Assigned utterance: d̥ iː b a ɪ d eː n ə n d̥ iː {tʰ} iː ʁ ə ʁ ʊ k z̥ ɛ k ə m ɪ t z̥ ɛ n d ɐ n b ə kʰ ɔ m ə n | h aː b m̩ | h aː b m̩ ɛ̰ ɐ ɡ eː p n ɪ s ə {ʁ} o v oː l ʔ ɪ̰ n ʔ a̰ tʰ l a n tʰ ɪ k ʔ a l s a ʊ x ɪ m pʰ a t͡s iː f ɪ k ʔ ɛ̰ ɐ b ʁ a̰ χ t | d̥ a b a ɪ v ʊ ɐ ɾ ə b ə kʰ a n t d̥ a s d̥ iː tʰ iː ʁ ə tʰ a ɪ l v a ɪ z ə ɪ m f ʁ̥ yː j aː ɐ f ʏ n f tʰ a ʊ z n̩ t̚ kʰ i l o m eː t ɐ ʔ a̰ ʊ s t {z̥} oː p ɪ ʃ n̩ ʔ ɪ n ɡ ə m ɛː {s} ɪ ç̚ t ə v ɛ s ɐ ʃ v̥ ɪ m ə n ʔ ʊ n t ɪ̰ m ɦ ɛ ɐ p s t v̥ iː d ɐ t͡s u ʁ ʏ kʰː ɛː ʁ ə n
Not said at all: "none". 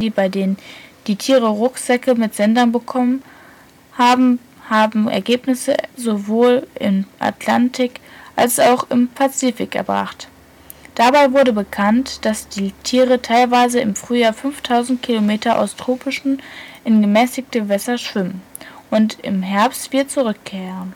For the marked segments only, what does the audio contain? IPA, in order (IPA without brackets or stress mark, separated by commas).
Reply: tʰ, z, ʁ̥, s